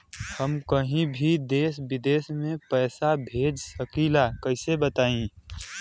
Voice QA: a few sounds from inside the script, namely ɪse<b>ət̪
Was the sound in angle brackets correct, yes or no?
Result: yes